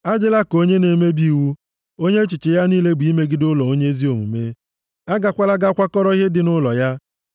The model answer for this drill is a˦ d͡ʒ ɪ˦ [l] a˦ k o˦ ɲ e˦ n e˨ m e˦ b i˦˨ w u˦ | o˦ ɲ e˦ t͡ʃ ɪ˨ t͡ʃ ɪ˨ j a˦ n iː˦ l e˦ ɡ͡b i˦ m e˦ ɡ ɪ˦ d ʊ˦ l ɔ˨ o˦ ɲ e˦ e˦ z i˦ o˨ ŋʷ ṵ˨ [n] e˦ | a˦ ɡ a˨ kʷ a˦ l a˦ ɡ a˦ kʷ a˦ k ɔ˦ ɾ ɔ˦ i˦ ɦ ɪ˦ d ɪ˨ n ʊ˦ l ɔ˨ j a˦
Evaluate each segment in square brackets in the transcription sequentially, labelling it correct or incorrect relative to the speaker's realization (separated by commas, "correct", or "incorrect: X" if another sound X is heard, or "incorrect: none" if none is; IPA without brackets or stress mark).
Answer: correct, incorrect: m